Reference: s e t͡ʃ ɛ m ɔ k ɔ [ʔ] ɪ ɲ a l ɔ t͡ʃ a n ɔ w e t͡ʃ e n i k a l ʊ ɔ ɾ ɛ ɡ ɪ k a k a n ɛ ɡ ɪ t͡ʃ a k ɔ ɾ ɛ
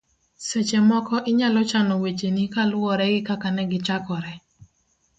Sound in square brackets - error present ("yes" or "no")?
no